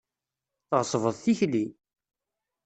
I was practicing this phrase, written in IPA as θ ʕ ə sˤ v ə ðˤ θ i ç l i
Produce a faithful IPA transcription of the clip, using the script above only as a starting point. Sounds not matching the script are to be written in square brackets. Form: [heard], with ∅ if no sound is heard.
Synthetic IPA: θ [ʁ] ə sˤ v ə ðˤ θ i ç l i

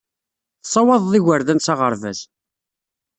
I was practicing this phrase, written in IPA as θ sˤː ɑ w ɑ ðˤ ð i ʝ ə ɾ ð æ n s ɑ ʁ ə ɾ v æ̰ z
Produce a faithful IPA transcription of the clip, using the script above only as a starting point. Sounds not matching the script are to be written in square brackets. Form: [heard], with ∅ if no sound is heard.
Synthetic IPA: θ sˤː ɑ w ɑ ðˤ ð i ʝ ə ɾ ð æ n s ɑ ʁ ə ɾ v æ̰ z

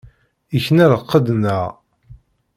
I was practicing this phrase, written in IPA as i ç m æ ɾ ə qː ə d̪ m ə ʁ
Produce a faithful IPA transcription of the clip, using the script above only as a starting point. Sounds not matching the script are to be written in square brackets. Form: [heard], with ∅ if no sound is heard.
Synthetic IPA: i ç [n] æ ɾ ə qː ə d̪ [n] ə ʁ

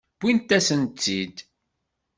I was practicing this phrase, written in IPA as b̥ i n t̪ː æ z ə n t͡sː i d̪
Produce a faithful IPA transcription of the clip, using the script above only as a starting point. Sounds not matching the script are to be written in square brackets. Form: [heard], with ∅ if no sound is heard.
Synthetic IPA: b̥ i n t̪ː æ [s] ə n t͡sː i d̪

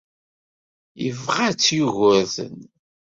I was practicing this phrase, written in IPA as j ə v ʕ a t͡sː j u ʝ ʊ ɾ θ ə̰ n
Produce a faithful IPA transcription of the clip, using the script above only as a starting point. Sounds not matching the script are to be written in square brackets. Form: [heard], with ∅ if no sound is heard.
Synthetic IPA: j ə v [ʁ] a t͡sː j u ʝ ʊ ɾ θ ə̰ n

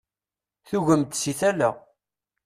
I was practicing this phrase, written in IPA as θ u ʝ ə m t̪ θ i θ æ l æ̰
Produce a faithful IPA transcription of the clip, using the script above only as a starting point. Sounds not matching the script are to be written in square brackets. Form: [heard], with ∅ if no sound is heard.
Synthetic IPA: θ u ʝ ə m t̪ [s] i θ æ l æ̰

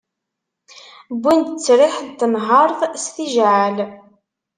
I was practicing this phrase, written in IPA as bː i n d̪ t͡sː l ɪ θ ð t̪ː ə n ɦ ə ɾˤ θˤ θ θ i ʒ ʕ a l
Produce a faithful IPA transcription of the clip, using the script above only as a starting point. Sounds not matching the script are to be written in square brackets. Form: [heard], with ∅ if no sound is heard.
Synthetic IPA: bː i n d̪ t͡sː [ɾ] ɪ [ħ] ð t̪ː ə n ɦ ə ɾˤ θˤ [s] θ i ʒ ʕ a l

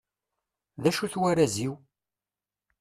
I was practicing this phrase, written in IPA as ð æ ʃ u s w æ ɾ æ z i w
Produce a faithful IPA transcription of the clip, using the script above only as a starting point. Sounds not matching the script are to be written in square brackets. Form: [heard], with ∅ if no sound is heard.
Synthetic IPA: ð æ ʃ u [θ] w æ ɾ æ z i w

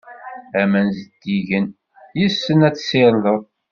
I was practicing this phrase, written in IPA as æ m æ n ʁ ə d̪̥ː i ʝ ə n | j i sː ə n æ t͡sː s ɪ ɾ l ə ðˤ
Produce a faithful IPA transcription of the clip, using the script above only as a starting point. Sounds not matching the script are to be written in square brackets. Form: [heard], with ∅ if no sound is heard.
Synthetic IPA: æ m æ n [z] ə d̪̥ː i ʝ ə n | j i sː ə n æ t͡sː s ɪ ɾ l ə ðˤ

